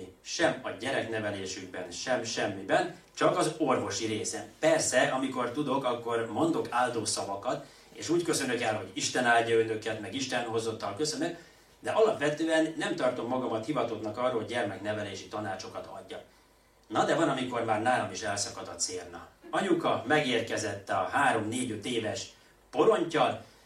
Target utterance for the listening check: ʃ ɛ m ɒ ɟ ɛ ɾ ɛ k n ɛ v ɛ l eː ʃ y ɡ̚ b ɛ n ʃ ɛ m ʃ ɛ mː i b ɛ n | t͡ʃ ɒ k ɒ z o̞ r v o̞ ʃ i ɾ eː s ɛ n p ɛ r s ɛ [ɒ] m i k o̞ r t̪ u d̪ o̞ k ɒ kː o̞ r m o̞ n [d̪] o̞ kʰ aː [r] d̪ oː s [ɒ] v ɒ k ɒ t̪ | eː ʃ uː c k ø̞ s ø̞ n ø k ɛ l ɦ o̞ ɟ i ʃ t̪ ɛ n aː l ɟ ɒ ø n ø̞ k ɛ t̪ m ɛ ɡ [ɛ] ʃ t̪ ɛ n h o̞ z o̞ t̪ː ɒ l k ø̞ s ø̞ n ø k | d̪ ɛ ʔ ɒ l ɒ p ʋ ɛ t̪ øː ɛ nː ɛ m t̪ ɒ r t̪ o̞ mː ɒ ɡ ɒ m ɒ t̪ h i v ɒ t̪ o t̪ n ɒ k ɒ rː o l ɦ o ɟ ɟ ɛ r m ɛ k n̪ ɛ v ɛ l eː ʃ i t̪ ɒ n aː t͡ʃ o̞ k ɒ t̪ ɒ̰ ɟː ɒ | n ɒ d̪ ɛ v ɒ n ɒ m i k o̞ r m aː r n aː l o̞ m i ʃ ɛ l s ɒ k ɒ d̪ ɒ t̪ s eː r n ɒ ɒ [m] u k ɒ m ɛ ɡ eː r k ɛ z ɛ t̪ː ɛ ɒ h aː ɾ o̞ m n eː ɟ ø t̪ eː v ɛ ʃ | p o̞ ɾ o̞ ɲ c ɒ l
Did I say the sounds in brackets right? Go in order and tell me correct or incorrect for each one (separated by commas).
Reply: correct, correct, incorrect, correct, incorrect, incorrect